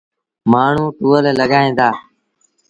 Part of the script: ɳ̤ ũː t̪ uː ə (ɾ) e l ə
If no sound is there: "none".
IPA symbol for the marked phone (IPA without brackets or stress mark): l